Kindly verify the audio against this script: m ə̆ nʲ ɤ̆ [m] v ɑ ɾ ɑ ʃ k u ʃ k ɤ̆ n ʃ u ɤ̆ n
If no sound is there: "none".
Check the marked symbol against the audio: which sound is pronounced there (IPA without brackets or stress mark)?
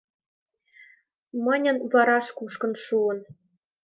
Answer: n